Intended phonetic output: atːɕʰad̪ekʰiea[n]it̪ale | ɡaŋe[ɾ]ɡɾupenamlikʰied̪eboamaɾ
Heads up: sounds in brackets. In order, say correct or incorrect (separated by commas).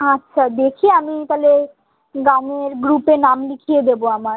incorrect, correct